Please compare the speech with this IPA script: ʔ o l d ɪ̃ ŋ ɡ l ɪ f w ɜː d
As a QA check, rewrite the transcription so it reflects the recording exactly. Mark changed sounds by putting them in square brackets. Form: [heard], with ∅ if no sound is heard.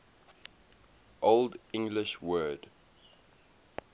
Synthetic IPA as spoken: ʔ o l d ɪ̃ ŋ ɡ l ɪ [ʃ] w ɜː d